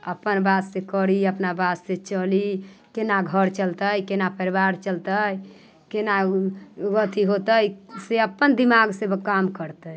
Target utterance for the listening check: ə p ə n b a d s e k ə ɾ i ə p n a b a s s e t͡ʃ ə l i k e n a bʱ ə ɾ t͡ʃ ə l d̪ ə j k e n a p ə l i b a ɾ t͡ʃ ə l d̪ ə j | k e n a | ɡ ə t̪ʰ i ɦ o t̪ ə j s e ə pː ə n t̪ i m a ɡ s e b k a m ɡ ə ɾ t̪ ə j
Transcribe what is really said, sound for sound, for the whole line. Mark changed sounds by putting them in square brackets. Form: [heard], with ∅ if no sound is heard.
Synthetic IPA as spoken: ə p ə n b a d s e k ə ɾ i ə p n a b a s s e t͡ʃ ə l i k e n a [ɡʱ] ə ɾ t͡ʃ ə l [t̪] ə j k e n a p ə [ɾ] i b a ɾ t͡ʃ ə l [t̪] ə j | k e n a | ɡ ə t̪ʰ i ɦ o t̪ ə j s e ə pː ə n [d̪] i m a ɡ s e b k a m [k] ə ɾ t̪ ə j

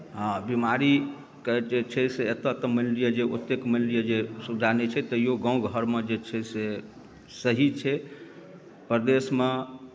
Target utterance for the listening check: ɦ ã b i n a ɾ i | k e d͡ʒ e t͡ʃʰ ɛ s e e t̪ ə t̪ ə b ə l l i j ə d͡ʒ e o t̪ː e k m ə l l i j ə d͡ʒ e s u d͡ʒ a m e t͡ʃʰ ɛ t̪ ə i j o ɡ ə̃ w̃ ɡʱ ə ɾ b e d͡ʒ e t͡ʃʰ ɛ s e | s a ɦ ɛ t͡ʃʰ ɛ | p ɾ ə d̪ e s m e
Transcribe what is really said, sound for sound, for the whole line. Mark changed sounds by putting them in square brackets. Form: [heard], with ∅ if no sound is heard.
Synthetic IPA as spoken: ɦ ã b i [m] a ɾ i | k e d͡ʒ e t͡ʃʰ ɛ s e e t̪ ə t̪ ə [m] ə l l i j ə d͡ʒ e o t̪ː e k m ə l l i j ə d͡ʒ e s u d͡ʒ a [n] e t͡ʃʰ ɛ t̪ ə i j o ɡ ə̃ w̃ ɡʱ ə ɾ [m] e d͡ʒ e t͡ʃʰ ɛ s e | s [ə] ɦ [i] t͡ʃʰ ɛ | p ɾ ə d̪ e s m e

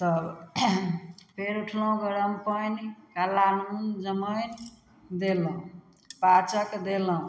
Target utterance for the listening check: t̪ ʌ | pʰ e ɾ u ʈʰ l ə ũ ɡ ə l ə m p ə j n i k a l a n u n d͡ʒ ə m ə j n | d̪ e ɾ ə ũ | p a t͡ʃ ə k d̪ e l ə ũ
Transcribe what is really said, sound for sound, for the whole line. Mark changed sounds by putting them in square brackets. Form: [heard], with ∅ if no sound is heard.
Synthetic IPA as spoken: t̪ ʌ | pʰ e ɾ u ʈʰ l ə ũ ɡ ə [ɾ] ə m p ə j n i k a l a n u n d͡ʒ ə m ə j n | d̪ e [l] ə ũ | p a t͡ʃ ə k d̪ e l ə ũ

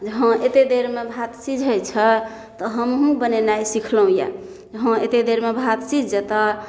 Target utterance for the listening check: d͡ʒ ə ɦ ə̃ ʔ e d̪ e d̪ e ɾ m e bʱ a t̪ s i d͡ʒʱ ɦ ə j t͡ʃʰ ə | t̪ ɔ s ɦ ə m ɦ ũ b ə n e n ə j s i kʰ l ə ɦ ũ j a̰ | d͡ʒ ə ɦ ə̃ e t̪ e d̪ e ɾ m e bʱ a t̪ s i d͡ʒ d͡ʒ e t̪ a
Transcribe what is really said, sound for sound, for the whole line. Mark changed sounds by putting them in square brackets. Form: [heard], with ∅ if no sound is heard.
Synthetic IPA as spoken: d͡ʒ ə ɦ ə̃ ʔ e [t̪] e d̪ e ɾ m e bʱ a t̪ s i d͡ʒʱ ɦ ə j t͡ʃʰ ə | t̪ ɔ [∅] ɦ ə m ɦ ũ b ə n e n [a] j s i kʰ l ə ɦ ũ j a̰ | d͡ʒ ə ɦ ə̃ e t̪ e d̪ e ɾ m e bʱ a t̪ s i d͡ʒ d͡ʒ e t̪ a

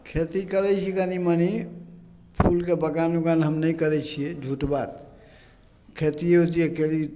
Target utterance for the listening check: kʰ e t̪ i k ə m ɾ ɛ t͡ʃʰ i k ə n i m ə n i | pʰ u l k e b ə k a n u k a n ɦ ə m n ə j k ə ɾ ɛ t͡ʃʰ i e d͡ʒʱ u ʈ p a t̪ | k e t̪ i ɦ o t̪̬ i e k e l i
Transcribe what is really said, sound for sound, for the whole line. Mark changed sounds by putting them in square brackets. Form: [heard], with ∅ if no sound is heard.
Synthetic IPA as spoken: kʰ e t̪ i k ə [∅] ɾ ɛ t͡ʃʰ i k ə n i m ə n i | pʰ u l k e b ə k a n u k a n ɦ ə m n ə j k ə ɾ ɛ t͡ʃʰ i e d͡ʒʱ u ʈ [b] a t̪ | [kʰ] e t̪ i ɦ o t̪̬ i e k e l i

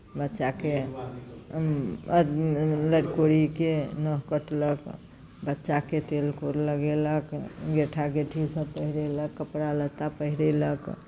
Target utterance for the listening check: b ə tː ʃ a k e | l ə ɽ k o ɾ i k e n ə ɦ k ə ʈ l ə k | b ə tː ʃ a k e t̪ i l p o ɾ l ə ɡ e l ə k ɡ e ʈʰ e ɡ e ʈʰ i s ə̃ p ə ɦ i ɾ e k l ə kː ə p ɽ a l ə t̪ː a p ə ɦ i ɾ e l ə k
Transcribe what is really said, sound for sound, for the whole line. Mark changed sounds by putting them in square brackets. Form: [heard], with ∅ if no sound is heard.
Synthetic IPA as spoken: b ə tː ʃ a k e | l ə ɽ k o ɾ i k e n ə ɦ k ə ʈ l ə k | b ə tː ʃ a k e t̪ [e] l [k] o ɾ l ə ɡ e l ə k ɡ e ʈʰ [a] ɡ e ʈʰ i s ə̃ p ə ɦ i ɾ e [∅] l ə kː ə p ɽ a l ə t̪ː a p ə ɦ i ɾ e l ə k

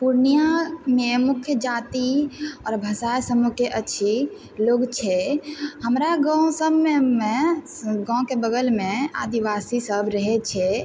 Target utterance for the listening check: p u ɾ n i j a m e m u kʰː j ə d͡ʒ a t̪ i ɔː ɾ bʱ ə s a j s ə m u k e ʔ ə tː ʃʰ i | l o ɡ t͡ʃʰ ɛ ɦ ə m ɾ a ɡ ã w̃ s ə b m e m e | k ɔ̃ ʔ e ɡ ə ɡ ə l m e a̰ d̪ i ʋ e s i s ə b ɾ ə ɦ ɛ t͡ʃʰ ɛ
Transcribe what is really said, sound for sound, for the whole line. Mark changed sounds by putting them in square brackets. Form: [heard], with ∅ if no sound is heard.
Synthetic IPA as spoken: p u ɾ n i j a m e m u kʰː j ə d͡ʒ a t̪ i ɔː ɾ bʱ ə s a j s ə m u k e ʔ ə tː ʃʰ i | l o ɡ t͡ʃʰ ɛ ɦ ə m ɾ a ɡ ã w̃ s ə b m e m e | [ɡ] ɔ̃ [k] e [b] ə ɡ ə l m e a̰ d̪ i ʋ [a] s i s ə b ɾ ə ɦ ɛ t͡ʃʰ ɛ

